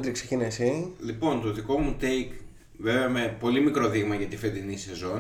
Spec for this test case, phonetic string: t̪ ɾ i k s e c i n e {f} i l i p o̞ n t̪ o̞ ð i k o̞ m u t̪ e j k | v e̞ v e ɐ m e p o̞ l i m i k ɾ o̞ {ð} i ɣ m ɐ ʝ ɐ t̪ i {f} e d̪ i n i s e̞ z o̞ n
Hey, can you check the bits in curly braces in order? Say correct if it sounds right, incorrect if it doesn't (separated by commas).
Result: incorrect, correct, correct